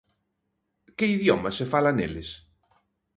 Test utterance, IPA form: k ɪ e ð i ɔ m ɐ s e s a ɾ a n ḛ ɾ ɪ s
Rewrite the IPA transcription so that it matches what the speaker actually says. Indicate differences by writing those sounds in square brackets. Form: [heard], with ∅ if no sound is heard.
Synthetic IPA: k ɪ [i] ð [j] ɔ m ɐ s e [f] a [l] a n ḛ [l] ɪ s